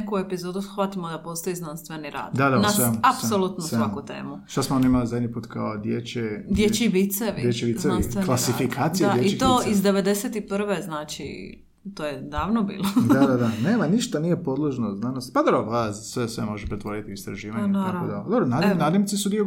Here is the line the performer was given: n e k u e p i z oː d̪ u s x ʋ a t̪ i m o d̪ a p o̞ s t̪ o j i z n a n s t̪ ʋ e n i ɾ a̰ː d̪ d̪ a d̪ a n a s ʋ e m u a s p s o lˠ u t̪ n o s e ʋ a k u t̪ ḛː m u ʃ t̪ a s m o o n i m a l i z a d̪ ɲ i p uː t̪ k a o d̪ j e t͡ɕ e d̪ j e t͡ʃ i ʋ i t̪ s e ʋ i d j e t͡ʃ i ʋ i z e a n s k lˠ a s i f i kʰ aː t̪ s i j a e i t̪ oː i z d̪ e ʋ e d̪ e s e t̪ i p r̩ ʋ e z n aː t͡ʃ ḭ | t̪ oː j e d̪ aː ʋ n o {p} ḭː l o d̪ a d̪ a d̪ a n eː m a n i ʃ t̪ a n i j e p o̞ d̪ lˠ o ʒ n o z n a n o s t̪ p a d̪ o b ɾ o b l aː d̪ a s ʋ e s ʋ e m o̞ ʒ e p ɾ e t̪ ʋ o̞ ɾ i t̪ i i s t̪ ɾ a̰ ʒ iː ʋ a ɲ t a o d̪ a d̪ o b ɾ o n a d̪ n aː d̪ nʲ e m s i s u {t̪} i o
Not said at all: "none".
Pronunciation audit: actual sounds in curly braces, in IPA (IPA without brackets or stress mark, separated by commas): b, d̪